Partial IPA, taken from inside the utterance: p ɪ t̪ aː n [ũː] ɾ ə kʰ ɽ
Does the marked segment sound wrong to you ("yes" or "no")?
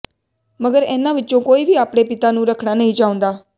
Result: no